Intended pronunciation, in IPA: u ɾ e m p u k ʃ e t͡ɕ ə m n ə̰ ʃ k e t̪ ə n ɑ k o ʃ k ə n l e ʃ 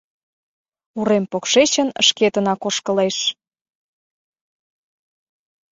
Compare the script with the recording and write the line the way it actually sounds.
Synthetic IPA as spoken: u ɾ e m p o k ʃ e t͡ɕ ə n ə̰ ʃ k e t̪ ə n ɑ k o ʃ k ə l e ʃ